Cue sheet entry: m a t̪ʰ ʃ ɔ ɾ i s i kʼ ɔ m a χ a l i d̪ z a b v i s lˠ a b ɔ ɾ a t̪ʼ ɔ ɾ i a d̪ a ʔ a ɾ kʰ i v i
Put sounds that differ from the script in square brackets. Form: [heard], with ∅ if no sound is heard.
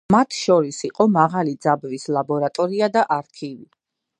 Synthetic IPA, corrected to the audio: m a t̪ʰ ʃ ɔ ɾ i s i [qʼ] ɔ m a [ʁ] a l i d̪ z a b v i s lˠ a b ɔ ɾ a t̪ʼ ɔ ɾ i a d̪ a ʔ a ɾ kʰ i v i